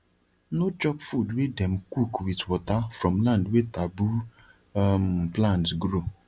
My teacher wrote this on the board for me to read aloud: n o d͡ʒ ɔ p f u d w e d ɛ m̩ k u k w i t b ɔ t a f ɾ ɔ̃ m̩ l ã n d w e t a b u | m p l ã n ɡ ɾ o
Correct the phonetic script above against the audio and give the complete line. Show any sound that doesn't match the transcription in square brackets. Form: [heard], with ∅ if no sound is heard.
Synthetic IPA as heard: n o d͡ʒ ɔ p f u d w e d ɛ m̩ k u k w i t [w] ɔ t a f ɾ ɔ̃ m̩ l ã n d w e t a b u | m p l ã n ɡ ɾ o